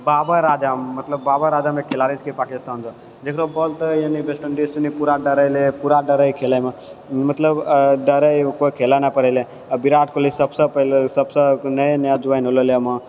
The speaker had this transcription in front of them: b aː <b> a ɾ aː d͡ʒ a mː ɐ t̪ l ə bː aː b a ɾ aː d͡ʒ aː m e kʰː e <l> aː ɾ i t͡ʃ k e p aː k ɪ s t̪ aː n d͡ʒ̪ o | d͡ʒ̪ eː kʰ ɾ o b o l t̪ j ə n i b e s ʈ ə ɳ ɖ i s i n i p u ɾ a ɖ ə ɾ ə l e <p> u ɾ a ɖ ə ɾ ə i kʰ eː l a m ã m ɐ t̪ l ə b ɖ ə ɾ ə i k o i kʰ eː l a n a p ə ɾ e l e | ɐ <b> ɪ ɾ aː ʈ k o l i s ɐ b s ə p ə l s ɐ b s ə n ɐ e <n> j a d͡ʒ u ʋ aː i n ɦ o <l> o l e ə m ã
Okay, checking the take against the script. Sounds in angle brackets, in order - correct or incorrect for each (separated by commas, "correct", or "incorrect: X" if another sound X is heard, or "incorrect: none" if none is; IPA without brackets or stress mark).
correct, correct, correct, correct, correct, correct